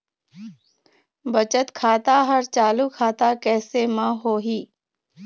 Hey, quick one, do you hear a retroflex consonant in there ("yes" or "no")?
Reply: no